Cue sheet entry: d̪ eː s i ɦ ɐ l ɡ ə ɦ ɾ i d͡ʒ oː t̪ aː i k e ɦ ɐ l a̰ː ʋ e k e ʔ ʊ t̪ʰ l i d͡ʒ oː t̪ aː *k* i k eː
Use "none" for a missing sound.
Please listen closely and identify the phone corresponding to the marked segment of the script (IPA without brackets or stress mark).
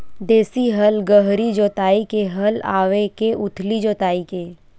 none